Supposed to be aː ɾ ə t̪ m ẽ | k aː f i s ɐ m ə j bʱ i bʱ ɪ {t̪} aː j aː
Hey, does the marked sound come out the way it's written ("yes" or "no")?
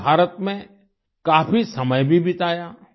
yes